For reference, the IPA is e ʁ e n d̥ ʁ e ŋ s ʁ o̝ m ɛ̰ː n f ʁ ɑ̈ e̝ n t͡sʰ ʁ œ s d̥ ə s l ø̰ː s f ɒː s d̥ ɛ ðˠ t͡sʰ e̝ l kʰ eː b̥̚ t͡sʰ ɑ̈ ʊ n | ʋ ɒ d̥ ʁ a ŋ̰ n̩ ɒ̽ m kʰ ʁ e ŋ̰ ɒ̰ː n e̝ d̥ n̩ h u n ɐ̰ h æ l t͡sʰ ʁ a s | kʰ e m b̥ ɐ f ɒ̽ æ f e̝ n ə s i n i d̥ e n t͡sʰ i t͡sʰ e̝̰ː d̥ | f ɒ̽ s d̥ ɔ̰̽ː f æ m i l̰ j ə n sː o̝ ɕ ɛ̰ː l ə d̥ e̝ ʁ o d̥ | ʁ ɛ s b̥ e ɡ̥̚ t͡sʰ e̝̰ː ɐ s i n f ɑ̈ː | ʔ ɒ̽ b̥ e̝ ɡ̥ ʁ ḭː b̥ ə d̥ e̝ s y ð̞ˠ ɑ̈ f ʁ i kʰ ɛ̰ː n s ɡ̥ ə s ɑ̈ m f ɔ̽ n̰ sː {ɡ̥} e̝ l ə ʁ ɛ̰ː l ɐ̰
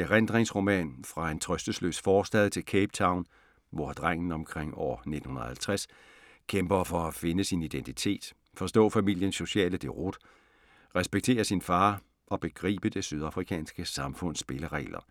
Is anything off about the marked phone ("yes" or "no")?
yes